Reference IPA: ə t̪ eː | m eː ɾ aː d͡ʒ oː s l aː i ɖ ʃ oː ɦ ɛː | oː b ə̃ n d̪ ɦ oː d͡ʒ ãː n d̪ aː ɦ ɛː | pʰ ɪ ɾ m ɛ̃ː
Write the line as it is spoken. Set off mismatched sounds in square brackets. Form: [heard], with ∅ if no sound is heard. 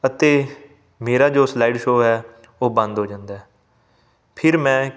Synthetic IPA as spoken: ə t̪ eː | m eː ɾ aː d͡ʒ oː s l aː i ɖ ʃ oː ɦ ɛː | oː b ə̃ n d̪ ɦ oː d͡ʒ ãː n d̪ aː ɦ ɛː | pʰ ɪ ɾ m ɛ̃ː